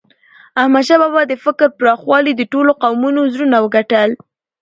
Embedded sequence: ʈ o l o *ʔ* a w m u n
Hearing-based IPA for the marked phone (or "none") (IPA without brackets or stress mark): q